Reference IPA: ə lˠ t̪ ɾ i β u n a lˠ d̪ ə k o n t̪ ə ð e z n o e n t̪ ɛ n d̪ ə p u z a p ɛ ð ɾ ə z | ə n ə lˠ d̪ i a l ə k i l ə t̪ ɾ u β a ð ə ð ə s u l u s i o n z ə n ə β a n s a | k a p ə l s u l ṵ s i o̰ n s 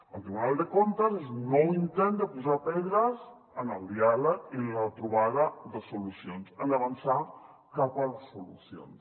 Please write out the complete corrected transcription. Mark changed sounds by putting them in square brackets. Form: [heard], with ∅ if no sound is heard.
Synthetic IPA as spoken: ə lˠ t̪ ɾ i β u n a lˠ d̪ ə k o n t̪ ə [z] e z n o [i] n t̪ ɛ n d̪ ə p u z a p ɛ ð ɾ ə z | ə n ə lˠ d̪ i a l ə k i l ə t̪ ɾ u β a ð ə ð ə s u l u s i o n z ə n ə β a n s a | k a p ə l s u l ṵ s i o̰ n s